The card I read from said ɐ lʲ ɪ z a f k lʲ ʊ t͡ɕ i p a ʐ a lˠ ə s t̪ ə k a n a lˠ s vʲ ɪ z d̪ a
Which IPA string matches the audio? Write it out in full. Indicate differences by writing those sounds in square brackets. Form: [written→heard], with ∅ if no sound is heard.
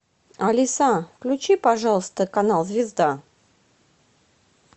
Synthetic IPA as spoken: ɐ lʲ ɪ [z→s] a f k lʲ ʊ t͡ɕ i p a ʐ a lˠ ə s t̪ ə k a n a lˠ [s→z] vʲ ɪ z d̪ a